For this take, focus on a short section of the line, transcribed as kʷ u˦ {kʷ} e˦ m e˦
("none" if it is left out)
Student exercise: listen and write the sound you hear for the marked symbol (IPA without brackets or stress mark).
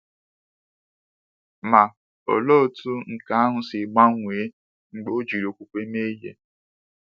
kʷ